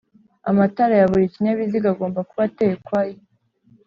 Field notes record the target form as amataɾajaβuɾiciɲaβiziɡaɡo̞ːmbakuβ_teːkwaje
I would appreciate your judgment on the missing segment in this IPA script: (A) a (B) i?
A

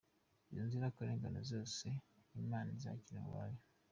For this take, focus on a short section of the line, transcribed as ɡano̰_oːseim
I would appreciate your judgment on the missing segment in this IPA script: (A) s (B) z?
B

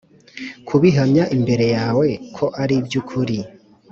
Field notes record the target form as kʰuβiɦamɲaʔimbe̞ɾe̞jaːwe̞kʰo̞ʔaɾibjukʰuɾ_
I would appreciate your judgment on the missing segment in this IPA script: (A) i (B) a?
A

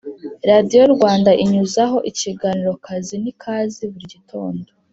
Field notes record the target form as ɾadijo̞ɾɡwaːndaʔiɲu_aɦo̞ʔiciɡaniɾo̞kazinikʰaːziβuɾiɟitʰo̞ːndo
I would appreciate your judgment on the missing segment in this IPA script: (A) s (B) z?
B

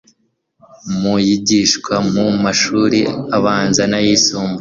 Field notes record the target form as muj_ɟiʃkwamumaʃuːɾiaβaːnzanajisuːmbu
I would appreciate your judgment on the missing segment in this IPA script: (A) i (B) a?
A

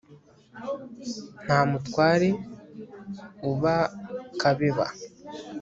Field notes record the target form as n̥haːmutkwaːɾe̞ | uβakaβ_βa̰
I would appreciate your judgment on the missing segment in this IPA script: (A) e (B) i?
A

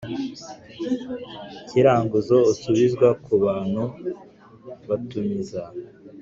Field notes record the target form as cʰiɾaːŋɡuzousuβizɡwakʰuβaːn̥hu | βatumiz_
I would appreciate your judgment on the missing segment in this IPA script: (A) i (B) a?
B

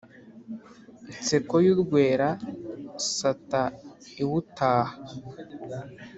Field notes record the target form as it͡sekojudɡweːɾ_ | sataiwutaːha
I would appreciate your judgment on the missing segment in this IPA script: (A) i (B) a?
B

